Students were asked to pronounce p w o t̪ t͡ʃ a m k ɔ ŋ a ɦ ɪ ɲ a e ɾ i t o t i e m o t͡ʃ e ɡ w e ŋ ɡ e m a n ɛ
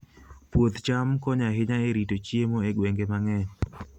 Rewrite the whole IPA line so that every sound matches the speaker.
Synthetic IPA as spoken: p w o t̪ t͡ʃ a m k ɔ ɲ a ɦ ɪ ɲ a e ɾ i t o t͡ʃ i e m o e ɡ w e ŋ ɡ e m a ŋ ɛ